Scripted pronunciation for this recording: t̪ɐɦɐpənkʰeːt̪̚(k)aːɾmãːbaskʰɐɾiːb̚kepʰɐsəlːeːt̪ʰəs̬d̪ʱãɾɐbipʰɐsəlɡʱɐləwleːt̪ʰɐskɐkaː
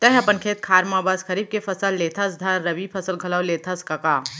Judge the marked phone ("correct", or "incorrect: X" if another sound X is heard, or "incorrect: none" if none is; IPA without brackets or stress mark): incorrect: kʰ